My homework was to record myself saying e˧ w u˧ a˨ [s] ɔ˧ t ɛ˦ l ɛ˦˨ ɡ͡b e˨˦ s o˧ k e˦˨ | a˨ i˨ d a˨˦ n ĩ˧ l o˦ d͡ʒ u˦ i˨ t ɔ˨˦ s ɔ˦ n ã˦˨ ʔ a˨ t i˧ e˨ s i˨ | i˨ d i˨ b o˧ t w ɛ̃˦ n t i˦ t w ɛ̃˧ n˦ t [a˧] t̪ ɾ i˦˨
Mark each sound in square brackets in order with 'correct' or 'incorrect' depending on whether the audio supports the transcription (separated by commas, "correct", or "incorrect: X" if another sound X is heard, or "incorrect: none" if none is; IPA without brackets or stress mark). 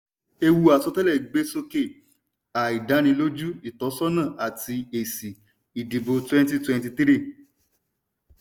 correct, incorrect: i˧